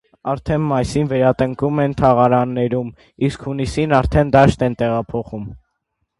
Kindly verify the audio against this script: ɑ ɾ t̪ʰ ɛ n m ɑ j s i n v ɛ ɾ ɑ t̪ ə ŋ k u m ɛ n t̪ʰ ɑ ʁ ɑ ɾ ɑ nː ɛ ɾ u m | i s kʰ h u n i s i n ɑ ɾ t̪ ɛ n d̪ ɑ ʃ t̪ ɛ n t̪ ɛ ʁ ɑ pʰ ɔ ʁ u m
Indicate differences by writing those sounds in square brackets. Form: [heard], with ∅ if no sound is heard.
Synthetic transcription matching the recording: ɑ ɾ t̪ʰ ɛ n m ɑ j s i n v ɛ ɾ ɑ t̪ ə ŋ k u m ɛ n t̪ʰ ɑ ʁ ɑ ɾ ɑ nː ɛ ɾ u m | i s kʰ h u n i s i n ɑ ɾ [t̪ʰ] ɛ n d̪ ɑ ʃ t̪ ɛ n t̪ ɛ ʁ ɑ pʰ ɔ [χ] u m